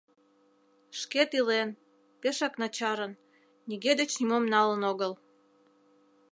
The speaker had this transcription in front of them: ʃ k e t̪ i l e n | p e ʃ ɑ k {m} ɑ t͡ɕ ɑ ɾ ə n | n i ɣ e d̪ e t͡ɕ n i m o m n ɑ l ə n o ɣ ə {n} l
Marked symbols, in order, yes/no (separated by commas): no, no